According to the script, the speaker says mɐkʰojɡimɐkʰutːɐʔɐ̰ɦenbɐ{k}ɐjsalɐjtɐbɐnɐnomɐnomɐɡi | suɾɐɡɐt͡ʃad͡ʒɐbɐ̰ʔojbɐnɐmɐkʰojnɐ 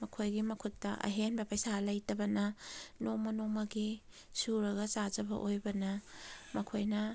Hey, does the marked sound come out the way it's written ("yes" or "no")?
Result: no